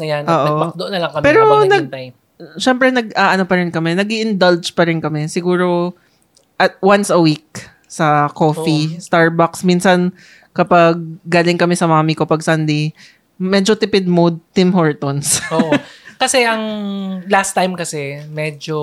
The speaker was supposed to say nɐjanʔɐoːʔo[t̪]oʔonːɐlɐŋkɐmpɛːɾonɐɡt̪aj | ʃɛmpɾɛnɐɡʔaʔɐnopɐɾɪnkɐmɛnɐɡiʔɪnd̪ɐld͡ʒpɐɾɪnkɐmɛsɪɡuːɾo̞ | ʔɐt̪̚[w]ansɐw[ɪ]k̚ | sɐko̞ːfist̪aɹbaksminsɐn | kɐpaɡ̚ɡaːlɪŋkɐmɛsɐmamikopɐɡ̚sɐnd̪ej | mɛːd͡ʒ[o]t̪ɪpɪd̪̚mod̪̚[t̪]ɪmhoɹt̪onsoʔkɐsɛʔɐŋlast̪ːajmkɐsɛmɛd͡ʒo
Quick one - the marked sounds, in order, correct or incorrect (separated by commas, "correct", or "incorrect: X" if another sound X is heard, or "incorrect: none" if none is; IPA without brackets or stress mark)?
incorrect: d̪, correct, incorrect: i, correct, correct